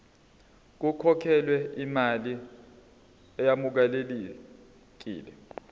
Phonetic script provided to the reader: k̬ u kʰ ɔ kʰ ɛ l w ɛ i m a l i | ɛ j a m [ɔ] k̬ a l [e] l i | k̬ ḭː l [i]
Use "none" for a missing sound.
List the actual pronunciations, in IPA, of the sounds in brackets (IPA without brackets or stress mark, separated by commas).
u, e, ɛ